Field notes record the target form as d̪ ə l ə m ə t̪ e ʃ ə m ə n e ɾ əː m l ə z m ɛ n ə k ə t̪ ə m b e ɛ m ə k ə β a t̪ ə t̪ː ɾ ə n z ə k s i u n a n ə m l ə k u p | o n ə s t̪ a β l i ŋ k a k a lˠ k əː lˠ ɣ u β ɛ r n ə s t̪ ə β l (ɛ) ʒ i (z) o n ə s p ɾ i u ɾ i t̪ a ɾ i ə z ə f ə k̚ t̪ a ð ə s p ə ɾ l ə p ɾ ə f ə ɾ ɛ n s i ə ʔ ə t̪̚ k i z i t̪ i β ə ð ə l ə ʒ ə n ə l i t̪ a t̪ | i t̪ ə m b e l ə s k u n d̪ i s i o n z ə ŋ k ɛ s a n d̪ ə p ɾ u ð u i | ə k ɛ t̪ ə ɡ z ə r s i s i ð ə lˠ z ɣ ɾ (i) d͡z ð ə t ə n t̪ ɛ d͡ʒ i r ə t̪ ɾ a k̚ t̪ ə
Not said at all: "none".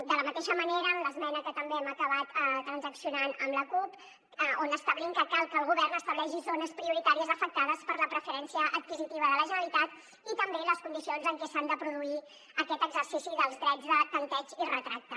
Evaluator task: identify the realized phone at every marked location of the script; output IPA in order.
ɛ, z, ɛ

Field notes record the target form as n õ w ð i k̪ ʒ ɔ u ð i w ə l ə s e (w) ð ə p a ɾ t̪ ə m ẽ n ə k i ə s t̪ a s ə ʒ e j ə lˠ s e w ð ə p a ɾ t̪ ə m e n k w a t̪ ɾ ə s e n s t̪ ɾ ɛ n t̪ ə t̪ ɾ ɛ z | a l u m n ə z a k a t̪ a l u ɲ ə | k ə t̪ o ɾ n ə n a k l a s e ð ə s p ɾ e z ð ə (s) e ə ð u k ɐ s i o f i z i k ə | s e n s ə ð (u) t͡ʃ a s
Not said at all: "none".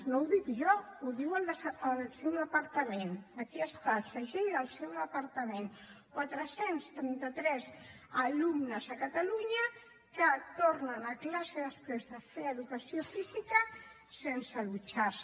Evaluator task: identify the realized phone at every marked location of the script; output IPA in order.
w, f, u

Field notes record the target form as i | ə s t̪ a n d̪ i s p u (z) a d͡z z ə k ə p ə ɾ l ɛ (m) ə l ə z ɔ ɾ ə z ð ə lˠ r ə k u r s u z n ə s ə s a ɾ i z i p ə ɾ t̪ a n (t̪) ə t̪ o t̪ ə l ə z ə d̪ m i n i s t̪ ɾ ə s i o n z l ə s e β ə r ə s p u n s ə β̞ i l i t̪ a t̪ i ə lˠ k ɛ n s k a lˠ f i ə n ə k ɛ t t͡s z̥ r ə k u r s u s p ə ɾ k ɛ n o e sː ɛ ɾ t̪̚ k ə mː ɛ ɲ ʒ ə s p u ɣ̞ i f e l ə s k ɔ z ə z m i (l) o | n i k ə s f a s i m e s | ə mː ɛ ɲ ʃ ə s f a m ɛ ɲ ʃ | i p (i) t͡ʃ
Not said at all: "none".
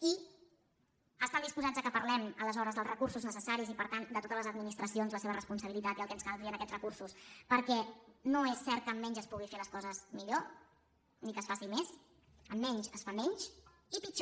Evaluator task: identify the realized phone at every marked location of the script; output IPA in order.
z, m, d̪, ʎ, i

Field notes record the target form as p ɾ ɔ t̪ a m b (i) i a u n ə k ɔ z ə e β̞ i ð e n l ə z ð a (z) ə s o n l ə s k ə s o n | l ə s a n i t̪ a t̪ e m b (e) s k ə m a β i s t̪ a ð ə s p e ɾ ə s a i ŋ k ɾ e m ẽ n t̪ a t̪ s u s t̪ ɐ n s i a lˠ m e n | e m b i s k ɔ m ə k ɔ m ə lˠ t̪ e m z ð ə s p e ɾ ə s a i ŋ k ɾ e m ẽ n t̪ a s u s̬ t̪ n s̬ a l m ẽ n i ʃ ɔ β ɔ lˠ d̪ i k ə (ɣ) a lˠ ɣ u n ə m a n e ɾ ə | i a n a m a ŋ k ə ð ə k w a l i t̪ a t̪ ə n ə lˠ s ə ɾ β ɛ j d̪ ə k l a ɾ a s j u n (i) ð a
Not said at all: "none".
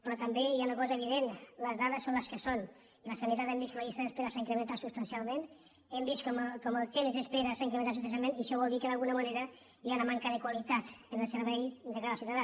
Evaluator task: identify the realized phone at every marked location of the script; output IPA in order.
e, ð, i, ð, a

